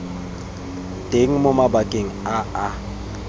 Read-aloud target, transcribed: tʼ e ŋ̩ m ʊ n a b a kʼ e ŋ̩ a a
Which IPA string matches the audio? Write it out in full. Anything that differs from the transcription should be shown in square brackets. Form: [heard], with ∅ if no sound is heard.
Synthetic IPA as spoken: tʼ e ŋ̩ m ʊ [m] a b a kʼ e ŋ̩ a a